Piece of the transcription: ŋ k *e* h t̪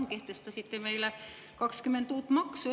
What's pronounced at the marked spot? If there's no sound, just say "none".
e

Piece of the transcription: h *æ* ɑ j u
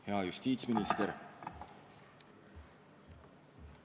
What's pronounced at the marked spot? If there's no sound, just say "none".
e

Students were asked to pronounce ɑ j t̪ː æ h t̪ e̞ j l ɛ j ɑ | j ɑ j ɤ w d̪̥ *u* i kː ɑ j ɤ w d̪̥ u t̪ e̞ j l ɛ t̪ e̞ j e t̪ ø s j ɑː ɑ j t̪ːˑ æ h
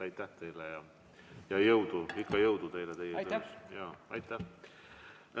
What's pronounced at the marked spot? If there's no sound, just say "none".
u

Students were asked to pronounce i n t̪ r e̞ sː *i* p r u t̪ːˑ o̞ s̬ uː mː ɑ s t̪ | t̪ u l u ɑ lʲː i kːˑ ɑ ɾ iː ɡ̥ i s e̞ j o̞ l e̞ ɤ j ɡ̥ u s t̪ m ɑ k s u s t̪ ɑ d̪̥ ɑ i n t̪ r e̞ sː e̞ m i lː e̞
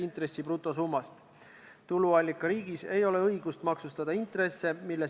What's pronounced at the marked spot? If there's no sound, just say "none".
i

